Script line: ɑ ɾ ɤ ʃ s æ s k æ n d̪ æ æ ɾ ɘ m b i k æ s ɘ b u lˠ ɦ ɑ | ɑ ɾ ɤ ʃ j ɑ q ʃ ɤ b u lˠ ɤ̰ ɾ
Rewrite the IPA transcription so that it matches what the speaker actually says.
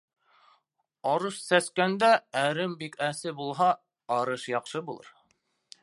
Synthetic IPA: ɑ ɾ ɤ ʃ s æ s k æ n d̪ æ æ ɾ ɘ m b i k æ s ɘ b u lˠ ɦ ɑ | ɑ ɾ ɤ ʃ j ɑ q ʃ ɤ b u lˠ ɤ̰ ɾ